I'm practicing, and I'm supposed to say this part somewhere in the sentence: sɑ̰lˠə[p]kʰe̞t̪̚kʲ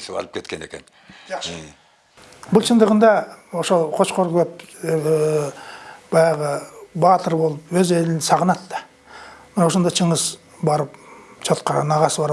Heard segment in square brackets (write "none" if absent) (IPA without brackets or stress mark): p